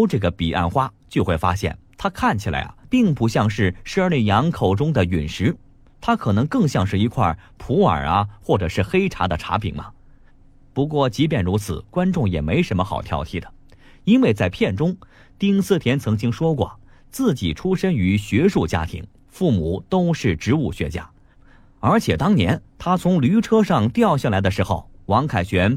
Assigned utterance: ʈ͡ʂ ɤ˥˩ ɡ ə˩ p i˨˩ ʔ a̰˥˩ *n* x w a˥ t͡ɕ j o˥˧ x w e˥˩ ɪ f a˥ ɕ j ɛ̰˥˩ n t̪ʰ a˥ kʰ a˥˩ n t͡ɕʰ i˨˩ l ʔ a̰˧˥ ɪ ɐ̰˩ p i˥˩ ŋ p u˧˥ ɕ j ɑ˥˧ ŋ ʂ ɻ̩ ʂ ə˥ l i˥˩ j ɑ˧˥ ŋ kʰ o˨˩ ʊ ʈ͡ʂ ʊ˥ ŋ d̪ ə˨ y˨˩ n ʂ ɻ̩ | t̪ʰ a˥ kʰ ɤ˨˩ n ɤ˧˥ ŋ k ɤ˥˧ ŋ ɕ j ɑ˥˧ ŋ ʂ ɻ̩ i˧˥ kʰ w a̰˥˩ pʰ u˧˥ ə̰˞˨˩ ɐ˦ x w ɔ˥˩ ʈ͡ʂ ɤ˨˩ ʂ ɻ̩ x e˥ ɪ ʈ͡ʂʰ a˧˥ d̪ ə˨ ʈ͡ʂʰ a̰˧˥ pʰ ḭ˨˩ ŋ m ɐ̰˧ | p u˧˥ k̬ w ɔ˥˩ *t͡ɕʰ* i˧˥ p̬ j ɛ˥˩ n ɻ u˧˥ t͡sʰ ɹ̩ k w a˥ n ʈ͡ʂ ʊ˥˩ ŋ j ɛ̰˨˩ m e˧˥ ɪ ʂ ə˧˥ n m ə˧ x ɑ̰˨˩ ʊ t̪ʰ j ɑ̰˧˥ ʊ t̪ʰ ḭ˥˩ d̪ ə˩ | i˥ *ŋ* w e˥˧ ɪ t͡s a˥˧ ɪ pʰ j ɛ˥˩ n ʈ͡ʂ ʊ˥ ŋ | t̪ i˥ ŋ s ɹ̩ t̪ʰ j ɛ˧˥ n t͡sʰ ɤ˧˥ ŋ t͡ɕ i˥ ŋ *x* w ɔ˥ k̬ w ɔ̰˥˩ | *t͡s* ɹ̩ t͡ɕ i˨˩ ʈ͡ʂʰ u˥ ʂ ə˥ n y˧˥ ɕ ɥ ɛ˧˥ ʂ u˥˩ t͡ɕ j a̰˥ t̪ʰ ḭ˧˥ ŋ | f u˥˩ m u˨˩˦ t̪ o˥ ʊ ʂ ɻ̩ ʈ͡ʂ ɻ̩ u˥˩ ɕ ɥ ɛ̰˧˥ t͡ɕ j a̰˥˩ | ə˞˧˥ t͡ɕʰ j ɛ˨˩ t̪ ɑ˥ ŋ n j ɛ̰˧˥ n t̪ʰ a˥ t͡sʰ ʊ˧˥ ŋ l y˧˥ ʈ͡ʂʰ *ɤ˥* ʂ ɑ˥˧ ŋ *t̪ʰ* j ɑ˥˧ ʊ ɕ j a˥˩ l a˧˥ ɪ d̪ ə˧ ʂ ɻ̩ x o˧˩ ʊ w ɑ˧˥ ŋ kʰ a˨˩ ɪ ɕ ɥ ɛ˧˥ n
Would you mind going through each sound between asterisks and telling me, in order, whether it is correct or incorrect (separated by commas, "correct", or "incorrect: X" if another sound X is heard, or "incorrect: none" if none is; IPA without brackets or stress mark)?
correct, incorrect: t͡ɕ, incorrect: n, incorrect: ʂ, correct, correct, incorrect: t̪